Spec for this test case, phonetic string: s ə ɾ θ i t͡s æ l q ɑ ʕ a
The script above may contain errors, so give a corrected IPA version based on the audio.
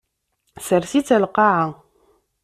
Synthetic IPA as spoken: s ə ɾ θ i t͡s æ l q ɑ ʕ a